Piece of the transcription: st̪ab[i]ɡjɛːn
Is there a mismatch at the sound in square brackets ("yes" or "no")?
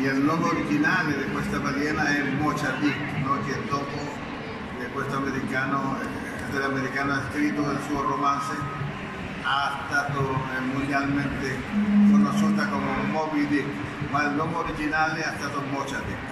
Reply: yes